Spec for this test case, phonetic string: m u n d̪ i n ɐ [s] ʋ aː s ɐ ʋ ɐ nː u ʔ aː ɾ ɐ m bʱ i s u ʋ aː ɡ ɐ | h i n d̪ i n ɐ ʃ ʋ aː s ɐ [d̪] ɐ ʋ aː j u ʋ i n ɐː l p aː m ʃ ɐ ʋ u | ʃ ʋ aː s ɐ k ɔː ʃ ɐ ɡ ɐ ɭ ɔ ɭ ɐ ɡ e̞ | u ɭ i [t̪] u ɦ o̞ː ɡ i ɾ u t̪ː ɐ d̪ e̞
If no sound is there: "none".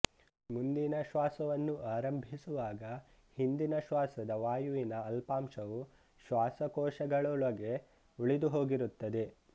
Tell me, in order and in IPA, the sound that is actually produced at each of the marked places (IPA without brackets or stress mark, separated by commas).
ʃ, d̪, d̪